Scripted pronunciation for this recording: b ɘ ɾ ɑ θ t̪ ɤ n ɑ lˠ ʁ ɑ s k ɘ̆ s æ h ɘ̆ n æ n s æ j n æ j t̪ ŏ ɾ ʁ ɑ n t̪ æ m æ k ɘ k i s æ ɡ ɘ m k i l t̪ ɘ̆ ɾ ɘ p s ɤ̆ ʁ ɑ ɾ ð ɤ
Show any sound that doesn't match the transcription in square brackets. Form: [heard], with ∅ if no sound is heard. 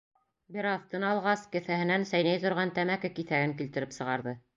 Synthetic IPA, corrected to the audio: b ɘ ɾ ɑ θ t̪ ɤ n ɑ lˠ ʁ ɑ s k ɘ̆ [θ] æ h ɘ̆ n æ n s æ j n æ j t̪ ŏ ɾ ʁ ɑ n t̪ æ m æ k ɘ k i [θ] æ ɡ ɘ [ŋ] k i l t̪ ɘ̆ ɾ ɘ p s ɤ̆ ʁ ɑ ɾ ð ɤ